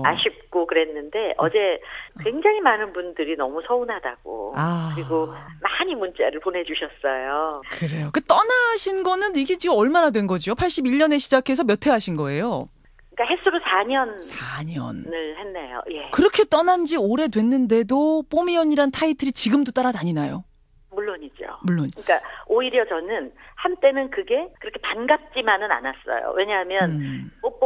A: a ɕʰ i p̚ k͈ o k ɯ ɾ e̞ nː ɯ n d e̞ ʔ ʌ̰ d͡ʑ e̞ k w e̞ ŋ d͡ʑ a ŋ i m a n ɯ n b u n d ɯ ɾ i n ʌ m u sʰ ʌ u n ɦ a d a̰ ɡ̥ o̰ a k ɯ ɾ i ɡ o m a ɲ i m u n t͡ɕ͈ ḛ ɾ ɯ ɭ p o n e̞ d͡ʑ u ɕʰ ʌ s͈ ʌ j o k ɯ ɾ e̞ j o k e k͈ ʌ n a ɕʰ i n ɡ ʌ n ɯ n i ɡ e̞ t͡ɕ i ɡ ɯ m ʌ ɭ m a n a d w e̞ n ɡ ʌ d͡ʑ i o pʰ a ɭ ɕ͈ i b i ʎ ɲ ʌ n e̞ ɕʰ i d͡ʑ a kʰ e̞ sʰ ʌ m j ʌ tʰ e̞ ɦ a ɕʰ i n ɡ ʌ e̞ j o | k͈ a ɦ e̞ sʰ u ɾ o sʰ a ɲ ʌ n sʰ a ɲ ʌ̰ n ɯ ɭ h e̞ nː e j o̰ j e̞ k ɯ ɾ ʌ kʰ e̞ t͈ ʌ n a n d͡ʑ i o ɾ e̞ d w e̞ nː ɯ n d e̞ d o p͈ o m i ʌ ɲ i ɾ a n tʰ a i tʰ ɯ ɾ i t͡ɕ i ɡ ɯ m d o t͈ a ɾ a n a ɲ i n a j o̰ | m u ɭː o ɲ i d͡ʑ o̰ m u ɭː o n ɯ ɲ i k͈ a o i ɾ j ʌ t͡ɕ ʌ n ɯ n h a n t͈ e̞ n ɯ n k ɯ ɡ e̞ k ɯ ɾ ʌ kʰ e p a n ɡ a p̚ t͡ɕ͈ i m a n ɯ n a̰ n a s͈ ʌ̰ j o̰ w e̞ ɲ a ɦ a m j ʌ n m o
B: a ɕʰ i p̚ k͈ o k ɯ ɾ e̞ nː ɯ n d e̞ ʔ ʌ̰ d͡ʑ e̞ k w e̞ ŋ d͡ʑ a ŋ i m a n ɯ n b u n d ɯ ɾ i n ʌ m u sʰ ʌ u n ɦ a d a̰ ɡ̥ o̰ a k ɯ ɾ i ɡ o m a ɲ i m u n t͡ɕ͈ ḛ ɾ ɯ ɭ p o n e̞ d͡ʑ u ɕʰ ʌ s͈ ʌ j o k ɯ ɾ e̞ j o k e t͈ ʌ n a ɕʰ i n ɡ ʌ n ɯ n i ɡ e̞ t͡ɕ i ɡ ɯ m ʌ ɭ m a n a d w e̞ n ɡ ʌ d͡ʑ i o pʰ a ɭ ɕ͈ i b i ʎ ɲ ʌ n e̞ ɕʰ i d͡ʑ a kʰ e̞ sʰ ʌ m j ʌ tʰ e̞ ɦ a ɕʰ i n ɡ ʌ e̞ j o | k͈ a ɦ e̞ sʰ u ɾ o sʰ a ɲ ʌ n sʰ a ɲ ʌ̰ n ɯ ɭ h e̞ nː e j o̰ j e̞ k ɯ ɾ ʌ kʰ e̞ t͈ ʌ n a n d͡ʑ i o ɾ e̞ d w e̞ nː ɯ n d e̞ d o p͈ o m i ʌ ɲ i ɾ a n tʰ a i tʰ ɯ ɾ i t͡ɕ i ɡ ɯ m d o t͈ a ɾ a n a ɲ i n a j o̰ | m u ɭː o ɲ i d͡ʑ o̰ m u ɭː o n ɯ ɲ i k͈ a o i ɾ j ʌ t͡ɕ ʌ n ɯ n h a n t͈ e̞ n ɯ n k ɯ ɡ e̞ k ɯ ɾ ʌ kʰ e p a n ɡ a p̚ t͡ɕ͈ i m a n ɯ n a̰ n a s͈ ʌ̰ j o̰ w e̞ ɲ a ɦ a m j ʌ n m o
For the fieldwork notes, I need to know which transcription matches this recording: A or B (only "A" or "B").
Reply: B